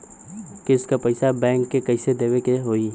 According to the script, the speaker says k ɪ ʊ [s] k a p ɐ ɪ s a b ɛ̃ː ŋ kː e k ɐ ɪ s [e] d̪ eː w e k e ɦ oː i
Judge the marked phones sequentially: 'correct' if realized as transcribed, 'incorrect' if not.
correct, correct

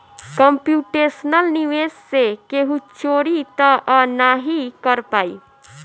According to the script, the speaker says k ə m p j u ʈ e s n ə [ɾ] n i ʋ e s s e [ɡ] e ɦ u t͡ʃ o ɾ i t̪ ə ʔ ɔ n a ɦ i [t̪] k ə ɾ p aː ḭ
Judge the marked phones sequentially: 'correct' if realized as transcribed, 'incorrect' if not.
incorrect, incorrect, incorrect

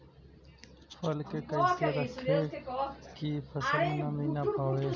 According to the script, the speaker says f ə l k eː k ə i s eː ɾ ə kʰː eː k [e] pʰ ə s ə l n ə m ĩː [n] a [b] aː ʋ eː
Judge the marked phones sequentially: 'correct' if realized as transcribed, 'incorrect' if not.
incorrect, correct, incorrect

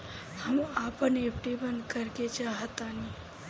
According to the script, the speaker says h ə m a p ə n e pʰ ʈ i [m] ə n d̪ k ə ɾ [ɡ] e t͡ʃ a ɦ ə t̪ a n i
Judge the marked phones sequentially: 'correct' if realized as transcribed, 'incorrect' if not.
incorrect, incorrect

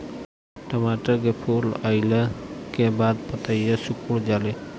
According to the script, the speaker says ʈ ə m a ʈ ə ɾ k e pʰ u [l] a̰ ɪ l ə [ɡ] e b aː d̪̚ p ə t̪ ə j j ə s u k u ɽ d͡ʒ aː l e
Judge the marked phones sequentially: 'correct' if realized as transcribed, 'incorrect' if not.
correct, incorrect

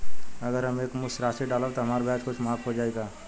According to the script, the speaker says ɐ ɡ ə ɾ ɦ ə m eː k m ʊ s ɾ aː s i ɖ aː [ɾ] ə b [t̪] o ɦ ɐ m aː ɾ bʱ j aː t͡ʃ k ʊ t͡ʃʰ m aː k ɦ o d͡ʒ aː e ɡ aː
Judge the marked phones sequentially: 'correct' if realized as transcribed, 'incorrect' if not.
incorrect, correct

